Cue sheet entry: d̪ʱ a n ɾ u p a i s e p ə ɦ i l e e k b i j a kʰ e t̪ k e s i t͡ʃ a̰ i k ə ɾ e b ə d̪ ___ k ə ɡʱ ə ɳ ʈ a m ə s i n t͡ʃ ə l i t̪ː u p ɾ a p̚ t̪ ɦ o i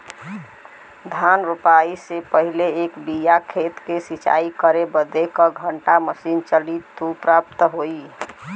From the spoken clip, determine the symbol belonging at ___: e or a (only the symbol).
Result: e